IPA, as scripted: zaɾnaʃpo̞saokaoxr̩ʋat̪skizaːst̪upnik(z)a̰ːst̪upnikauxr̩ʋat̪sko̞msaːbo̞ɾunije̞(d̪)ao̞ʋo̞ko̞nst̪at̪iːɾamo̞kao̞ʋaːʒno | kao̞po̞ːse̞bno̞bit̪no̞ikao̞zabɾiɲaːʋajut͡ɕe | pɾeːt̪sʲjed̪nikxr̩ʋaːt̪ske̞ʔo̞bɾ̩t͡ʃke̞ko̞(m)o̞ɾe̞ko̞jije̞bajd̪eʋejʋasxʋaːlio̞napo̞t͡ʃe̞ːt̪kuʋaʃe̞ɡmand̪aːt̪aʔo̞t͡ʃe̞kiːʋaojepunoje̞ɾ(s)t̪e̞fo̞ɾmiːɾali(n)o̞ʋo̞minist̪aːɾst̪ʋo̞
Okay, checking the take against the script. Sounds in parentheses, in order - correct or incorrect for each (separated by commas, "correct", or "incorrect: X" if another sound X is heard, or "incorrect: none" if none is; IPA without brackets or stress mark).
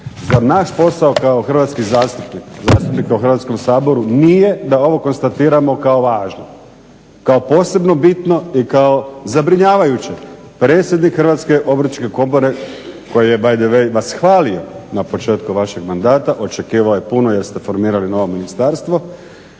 correct, correct, incorrect: b, correct, correct